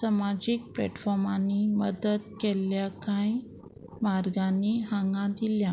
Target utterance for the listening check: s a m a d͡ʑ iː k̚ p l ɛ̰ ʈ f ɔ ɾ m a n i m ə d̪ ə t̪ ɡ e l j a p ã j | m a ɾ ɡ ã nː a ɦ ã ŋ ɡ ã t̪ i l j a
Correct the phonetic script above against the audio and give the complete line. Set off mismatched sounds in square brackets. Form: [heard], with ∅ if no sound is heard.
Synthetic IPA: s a m a d͡ʑ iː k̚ p l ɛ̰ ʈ f ɔ ɾ m a n i m ə d̪ ə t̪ [k] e l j a [k] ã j | m a ɾ ɡ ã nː [i] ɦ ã ŋ ɡ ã [d̪] i l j a